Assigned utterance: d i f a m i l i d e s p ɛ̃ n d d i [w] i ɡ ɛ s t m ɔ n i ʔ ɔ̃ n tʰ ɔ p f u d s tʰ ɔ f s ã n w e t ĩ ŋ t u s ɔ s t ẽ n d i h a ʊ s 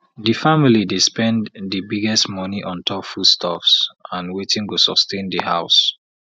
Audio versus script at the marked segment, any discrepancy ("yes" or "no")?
yes